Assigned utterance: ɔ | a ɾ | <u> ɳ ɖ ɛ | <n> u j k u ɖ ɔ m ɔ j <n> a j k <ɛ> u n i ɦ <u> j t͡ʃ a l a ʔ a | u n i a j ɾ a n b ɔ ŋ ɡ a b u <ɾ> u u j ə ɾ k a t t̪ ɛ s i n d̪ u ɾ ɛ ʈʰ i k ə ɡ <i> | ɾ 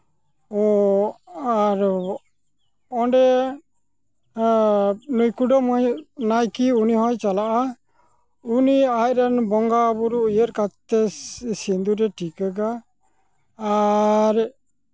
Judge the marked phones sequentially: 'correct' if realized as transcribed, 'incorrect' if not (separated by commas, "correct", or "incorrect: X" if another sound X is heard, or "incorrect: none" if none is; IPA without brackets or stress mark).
incorrect: ɔ, correct, correct, incorrect: i, incorrect: ɔ, correct, incorrect: a